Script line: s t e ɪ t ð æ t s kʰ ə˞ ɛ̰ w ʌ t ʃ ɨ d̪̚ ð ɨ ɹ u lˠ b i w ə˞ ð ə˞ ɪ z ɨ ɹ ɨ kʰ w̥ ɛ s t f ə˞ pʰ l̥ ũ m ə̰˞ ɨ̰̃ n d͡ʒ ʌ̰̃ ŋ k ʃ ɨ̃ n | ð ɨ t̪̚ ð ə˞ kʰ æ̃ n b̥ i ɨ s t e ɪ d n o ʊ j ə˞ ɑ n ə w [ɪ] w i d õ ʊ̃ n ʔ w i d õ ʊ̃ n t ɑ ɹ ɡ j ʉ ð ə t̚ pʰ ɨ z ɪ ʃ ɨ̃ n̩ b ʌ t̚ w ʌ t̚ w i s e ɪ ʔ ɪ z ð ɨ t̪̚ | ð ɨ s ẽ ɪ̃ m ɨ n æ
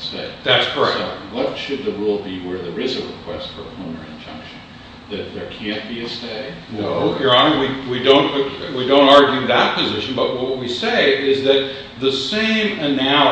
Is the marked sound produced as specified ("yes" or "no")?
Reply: no